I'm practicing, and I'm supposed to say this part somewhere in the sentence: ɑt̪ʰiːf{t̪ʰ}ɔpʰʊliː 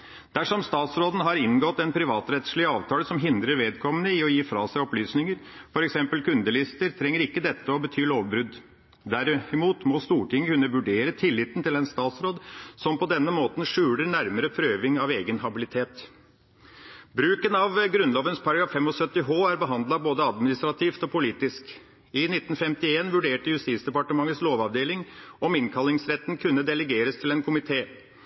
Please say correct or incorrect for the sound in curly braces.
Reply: incorrect